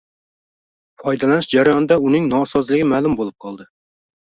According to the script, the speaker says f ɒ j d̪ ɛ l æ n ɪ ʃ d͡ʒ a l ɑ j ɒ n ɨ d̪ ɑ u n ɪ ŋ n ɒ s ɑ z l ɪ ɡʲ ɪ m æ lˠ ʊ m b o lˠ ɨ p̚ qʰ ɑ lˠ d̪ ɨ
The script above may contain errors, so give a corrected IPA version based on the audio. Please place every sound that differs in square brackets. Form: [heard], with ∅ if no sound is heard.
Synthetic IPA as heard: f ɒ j d̪ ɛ l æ n ɪ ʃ d͡ʒ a [ɾ] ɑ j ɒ n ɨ d̪ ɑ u n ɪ ŋ n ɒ s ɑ z l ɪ ɡʲ ɪ m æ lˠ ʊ m b o lˠ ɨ p̚ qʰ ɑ lˠ d̪ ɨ